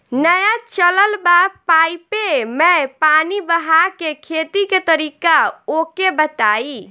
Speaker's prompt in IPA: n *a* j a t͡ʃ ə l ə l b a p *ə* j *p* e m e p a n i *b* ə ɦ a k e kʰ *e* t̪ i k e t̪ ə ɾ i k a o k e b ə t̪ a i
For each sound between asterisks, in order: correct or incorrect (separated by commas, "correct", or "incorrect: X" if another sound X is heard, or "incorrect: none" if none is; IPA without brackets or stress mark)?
incorrect: ə, incorrect: a, correct, correct, correct